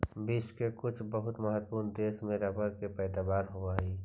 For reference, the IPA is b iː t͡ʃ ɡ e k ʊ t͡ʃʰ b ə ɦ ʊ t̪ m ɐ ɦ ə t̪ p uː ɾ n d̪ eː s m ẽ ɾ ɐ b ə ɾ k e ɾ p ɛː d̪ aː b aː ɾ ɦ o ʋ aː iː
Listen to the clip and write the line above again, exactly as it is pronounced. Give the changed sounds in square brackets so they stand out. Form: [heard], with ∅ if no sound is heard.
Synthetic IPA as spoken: b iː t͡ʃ [k] e k ʊ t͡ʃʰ b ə ɦ ʊ t̪ m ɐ ɦ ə t̪ p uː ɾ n d̪ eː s m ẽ ɾ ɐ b ə ɾ k e [∅] p ɛː d̪ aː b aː ɾ ɦ o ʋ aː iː